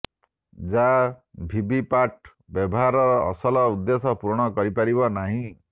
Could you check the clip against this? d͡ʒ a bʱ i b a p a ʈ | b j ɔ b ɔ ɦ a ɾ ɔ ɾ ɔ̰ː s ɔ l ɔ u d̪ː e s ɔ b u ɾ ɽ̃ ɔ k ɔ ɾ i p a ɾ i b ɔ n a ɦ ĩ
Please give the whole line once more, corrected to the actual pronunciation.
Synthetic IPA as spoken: d͡ʒ a bʱ i b i p a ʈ | b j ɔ b ɔ ɦ a ɾ ɔ ɾ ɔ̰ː s ɔ l ɔ u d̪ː e s ɔ p u ɾ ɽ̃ ɔ k ɔ ɾ i p a ɾ i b ɔ n a ɦ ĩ